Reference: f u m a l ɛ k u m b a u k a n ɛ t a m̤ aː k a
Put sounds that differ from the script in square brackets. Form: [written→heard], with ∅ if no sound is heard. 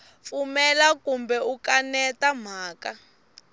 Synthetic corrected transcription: f u m [a→ɛ] l [ɛ→a] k u m b [a→ɛ] u k a n ɛ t a m̤ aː k a